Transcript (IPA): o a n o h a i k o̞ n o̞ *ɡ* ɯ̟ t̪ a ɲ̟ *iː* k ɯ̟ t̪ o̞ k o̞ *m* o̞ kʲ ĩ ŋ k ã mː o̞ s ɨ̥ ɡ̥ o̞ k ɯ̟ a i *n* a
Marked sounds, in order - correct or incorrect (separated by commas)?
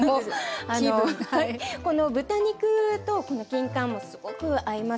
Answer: incorrect, incorrect, incorrect, incorrect